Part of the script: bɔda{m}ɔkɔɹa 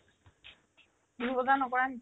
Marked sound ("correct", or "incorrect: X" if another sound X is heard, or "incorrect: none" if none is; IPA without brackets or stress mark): incorrect: n